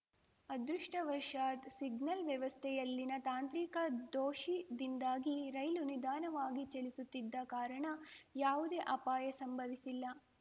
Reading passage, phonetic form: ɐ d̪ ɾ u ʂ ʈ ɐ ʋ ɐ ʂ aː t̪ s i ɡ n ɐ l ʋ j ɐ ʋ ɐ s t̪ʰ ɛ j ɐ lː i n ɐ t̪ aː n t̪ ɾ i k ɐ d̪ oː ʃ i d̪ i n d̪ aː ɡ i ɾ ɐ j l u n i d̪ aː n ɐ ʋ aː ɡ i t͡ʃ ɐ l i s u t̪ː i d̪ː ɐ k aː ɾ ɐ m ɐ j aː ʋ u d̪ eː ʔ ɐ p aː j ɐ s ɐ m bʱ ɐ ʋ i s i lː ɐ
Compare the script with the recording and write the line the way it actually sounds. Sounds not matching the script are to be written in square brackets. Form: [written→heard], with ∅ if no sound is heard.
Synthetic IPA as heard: ɐ d̪ ɾ u ʂ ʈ ɐ ʋ ɐ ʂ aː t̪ s i ɡ n ɐ l ʋ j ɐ ʋ ɐ s t̪ʰ ɛ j ɐ lː i n ɐ t̪ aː n t̪ ɾ i k ɐ d̪ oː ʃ i d̪ i n d̪ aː ɡ i ɾ ɐ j l u n i d̪ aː n ɐ ʋ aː ɡ i t͡ʃ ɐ l i s u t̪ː i d̪ː ɐ k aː ɾ ɐ [m→ɳ] ɐ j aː ʋ u d̪ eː ʔ ɐ p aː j ɐ s ɐ m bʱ ɐ ʋ i s i lː ɐ